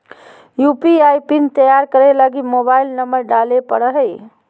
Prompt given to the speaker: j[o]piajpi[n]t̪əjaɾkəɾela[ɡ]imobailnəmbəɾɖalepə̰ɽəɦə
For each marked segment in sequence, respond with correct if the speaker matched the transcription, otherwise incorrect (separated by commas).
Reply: incorrect, correct, correct